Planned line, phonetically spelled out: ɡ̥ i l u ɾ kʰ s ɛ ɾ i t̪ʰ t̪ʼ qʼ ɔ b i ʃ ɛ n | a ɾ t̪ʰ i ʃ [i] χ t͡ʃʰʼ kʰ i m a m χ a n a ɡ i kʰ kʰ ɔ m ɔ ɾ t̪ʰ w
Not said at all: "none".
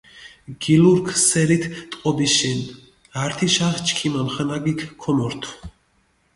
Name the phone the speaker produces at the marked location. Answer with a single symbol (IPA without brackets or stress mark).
a